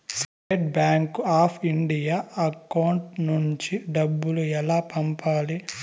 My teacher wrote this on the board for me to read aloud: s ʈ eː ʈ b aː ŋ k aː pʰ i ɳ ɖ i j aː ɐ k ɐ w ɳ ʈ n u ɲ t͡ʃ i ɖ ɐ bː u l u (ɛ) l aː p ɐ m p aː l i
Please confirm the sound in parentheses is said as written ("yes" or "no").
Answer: yes